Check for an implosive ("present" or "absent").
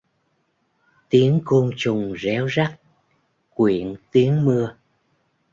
absent